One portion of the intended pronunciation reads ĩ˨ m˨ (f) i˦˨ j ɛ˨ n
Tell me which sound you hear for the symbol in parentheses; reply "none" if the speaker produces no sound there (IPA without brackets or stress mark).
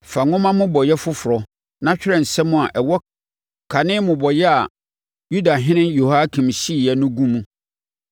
ɕ